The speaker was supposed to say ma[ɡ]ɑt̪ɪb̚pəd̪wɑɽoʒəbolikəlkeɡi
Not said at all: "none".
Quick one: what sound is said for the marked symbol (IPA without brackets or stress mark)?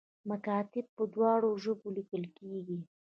k